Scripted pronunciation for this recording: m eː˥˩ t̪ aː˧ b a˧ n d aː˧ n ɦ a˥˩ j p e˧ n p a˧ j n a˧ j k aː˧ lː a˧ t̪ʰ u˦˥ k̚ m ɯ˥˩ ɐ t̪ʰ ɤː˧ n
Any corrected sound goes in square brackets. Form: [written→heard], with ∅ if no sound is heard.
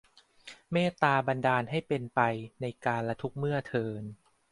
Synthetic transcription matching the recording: m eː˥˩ t̪ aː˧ b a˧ n d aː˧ n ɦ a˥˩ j p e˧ n p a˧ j n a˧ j k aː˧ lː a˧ t̪ʰ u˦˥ k̚ m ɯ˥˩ ɐ t̪ʰ ɤː˧ n